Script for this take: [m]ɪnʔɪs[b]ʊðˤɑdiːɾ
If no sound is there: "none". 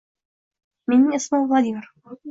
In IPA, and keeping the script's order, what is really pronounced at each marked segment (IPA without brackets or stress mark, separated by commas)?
m, m